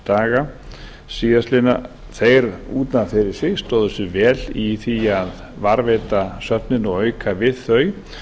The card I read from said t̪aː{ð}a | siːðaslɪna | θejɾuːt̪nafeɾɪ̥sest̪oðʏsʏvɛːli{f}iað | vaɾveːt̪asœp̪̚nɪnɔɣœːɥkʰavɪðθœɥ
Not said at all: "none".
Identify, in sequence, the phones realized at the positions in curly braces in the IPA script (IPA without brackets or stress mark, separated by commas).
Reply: ɣ, θ